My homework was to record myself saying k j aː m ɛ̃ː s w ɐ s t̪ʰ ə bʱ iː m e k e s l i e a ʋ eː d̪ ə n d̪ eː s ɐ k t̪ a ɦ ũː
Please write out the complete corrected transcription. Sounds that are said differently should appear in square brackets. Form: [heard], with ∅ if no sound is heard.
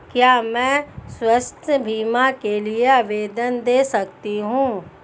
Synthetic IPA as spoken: k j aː m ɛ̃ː s w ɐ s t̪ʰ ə bʱ iː m [a] k e [∅] l i e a ʋ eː d̪ ə n d̪ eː s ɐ k t̪ [i] ɦ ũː